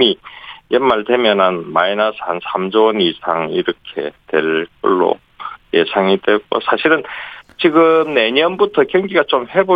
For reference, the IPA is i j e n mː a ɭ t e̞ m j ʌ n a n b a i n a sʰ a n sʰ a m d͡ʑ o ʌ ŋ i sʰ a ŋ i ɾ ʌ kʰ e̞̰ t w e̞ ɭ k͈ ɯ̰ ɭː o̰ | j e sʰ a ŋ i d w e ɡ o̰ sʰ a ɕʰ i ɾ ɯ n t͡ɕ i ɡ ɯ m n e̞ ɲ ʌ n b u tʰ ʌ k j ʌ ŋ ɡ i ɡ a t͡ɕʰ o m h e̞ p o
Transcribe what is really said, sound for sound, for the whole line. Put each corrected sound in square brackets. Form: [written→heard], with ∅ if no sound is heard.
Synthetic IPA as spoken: i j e n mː a ɭ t e̞ m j ʌ n a n [b→m] a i n a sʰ a n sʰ a m d͡ʑ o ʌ [ŋ→n] i sʰ a ŋ i ɾ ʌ kʰ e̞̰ t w e̞ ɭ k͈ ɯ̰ ɭː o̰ | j e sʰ a ŋ i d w e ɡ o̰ sʰ a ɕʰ i ɾ ɯ n t͡ɕ i ɡ ɯ m n e̞ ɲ ʌ n b u tʰ ʌ k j ʌ ŋ ɡ i ɡ a [t͡ɕʰ→t͡ɕ] o m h e̞ [p→b] o